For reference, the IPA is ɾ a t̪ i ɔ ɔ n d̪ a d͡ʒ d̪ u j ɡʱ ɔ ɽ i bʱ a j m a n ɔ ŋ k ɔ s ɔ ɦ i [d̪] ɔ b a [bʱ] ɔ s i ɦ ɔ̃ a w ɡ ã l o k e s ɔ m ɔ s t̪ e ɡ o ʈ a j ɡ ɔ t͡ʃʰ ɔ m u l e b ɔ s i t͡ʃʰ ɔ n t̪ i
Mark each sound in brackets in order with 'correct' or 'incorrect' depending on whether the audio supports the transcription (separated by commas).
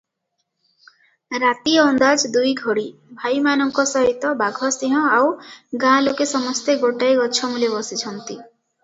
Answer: incorrect, incorrect